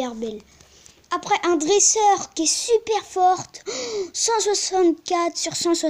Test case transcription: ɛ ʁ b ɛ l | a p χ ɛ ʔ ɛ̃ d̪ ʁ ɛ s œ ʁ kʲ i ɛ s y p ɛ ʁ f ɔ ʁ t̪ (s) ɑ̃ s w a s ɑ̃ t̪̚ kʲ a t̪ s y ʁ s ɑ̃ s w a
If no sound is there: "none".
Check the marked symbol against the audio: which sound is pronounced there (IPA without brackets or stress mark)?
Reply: s